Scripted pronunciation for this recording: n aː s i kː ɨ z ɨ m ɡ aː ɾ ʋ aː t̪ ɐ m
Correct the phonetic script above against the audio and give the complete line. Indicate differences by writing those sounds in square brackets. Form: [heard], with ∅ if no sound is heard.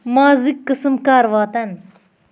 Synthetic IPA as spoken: [m] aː [z] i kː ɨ [s] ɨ m [k] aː ɾ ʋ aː t̪ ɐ [n]